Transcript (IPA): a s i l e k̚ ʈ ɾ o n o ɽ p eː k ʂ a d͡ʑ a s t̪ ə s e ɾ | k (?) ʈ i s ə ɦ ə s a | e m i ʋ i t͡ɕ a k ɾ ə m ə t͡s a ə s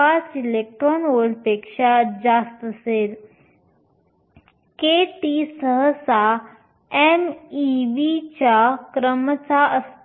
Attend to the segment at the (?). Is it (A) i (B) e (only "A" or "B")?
B